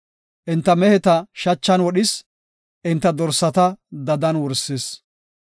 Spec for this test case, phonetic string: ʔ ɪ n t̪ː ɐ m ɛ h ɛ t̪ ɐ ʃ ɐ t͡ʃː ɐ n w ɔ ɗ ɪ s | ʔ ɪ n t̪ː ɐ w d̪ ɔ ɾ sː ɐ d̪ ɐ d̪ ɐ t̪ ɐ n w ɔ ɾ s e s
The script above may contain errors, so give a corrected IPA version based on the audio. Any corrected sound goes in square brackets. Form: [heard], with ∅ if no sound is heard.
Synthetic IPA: ʔ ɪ n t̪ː ɐ m ɛ h ɛ t̪ ɐ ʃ ɐ t͡ʃː ɐ n w ɔ ɗ ɪ s | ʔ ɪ n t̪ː ɐ [∅] d̪ ɔ ɾ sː ɐ [t̪] ɐ d̪ ɐ [d̪] ɐ n w ɔ ɾ s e s

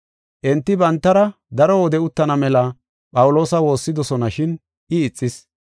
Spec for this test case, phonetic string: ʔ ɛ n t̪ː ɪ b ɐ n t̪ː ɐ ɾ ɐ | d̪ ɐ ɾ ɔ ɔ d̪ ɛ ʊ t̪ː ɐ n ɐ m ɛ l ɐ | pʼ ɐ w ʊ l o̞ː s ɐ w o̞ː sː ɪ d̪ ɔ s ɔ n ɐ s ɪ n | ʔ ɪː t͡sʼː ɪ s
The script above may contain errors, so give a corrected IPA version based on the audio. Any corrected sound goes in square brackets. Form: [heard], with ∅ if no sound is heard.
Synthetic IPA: ʔ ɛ n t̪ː ɪ b ɐ n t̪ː ɐ ɾ ɐ | d̪ ɐ ɾ ɔ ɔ d̪ ɛ ʊ t̪ː ɐ n ɐ m ɛ l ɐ | pʼ ɐ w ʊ l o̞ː s ɐ w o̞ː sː ɪ d̪ ɔ s ɔ n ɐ [ʃ] ɪ n | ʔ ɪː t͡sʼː ɪ s

